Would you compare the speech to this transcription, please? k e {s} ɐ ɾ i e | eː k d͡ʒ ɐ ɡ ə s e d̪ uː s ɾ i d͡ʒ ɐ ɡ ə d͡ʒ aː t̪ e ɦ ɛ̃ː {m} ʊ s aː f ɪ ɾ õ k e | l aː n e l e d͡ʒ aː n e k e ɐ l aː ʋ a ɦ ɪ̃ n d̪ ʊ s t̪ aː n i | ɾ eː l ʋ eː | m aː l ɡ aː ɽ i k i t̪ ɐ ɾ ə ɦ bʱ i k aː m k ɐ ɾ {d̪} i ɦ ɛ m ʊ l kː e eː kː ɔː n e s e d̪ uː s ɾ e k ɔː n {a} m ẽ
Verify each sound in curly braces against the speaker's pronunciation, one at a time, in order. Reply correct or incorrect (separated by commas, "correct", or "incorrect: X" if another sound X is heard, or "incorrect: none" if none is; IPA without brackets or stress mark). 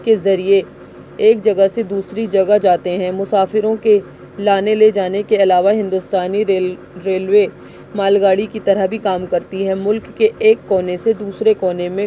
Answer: incorrect: z, correct, incorrect: t̪, incorrect: e